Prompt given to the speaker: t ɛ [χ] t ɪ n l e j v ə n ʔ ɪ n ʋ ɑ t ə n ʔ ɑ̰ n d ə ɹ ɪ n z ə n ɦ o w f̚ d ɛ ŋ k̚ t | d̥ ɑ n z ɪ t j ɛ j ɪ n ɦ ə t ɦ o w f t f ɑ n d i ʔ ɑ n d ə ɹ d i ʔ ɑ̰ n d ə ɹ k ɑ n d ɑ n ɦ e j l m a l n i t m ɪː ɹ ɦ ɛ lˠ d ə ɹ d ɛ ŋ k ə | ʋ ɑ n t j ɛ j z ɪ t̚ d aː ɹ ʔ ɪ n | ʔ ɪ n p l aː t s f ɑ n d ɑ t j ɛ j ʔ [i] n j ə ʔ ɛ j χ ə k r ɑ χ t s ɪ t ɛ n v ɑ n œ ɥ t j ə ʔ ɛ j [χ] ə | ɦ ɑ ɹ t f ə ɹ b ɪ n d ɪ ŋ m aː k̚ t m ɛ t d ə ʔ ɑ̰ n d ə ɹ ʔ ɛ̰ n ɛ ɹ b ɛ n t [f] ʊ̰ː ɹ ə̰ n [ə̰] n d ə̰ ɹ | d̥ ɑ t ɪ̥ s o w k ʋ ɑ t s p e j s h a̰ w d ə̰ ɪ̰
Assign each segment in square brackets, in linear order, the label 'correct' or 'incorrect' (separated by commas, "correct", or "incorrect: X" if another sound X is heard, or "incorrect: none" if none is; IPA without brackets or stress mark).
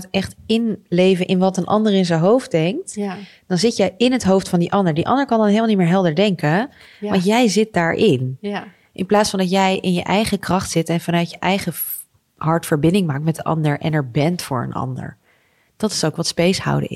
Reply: correct, incorrect: ɪ, correct, correct, incorrect: ɑ̰